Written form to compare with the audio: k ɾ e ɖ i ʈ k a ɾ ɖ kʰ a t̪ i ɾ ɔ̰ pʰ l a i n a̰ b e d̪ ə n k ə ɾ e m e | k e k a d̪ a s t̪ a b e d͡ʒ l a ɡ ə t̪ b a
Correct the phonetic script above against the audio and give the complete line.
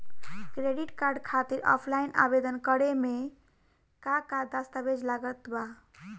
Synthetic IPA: k ɾ e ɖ i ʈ k a ɾ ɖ kʰ a t̪ i ɾ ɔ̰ pʰ l a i n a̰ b e d̪ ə n k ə ɾ e m e | k a k a d̪ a s t̪ a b e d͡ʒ l a ɡ ə t̪ b a